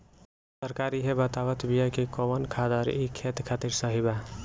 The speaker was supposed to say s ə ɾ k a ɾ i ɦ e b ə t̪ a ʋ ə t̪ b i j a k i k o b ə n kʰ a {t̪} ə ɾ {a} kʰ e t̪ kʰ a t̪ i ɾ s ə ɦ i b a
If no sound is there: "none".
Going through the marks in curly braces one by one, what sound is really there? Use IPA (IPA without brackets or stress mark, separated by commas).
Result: d̪, i